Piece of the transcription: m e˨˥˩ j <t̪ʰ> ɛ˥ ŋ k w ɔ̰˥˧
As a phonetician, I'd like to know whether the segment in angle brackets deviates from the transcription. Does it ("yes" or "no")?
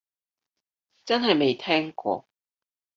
no